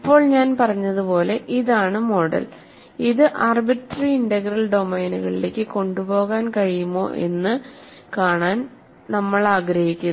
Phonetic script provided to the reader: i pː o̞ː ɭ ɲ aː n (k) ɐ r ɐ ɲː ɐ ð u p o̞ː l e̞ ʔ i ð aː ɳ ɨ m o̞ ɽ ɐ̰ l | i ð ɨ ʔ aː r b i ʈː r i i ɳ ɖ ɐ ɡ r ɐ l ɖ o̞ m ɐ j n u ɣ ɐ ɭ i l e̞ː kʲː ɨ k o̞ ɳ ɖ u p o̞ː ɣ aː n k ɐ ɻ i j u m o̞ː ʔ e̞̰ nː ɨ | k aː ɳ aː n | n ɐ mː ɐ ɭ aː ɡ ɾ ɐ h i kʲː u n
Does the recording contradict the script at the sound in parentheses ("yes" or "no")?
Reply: yes